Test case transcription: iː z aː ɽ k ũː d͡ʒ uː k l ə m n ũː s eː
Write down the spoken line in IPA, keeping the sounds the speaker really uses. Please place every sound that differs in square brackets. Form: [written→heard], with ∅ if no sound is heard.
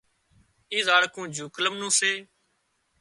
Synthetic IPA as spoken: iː z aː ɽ k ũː d͡ʒ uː k l ə m n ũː s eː